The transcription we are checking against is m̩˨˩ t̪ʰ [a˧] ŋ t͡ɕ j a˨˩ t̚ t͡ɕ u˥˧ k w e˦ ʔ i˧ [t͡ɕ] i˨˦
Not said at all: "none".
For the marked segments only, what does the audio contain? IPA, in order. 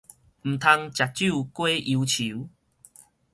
a˧, t͡ɕʰ

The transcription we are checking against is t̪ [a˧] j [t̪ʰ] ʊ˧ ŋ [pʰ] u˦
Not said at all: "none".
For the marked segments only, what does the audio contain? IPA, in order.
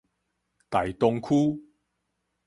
a˨˩, t̪, kʰ

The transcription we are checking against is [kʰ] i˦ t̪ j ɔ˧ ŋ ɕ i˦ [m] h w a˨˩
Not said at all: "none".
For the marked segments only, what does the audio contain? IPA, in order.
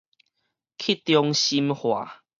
kʰ, m

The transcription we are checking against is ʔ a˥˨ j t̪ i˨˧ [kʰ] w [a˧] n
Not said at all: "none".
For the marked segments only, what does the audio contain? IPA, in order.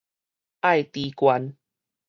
k, a˧

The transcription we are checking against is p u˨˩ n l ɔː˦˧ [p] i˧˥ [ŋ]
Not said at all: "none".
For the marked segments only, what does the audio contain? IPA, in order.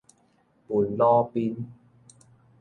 p, n

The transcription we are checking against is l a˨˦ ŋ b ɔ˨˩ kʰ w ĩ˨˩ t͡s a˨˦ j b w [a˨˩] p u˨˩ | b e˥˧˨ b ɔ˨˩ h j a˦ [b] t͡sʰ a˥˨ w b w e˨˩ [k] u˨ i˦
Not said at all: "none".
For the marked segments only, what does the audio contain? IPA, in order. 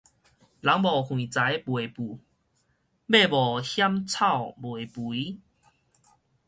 e˨˩, m, p

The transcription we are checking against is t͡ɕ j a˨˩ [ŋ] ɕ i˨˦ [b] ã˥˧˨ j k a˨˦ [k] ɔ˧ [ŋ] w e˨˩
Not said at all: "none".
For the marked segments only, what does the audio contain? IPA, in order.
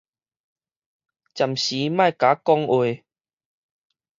m, m, k, ŋ

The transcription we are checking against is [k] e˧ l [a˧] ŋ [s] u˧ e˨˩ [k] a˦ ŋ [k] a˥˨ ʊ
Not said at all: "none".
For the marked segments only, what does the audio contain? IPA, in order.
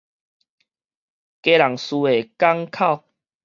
k, a˨˩, s, k, kʰ

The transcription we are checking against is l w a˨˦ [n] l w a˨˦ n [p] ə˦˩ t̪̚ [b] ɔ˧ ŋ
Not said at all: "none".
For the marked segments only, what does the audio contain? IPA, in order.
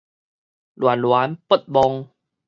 n, p, b

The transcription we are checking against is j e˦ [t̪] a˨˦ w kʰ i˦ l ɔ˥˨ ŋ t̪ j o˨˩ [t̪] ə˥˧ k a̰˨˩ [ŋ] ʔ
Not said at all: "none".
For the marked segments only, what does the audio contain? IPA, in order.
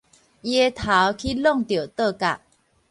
t̪ʰ, t̪, none

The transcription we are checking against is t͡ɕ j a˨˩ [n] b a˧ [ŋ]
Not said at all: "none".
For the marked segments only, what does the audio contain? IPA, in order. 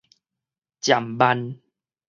m, n

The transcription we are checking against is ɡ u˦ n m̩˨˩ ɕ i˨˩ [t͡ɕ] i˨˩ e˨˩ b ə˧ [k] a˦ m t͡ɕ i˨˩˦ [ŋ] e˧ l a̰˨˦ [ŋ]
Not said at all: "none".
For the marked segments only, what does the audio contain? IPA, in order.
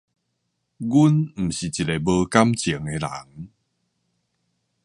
t͡ɕ, k, ŋ, ŋ

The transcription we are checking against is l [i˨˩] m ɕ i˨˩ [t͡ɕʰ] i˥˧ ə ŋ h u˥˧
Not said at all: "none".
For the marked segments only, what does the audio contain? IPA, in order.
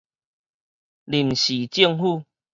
i˨˩, t͡ɕ

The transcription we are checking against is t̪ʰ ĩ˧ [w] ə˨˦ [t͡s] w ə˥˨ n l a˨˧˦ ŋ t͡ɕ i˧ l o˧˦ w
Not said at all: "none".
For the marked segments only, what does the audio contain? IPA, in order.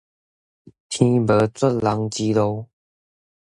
b, t͡s

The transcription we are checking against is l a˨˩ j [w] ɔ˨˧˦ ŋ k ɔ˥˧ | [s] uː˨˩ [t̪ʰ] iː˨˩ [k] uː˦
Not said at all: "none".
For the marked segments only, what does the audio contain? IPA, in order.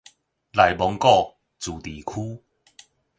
b, t͡s, t̪, kʰ

